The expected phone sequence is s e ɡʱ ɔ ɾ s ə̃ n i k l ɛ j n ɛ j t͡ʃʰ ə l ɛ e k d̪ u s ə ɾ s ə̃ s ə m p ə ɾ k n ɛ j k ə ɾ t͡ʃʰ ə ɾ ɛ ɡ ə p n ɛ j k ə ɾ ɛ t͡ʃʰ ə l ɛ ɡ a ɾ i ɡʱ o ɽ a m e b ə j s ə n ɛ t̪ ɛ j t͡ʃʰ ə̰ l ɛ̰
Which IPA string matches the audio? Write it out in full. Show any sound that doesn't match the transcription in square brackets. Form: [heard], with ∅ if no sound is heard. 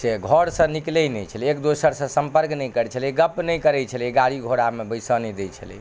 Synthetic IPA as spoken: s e ɡʱ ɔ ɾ s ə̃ n i k l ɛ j n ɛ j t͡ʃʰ ə l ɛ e k d̪ [o] s ə ɾ s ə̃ s ə m p ə ɾ k n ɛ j k ə ɾ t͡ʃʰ ə [l] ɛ ɡ ə p n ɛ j k ə ɾ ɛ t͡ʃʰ ə l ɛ ɡ a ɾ i ɡʱ o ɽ a m e b ə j s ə n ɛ [d̪] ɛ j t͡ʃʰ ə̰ l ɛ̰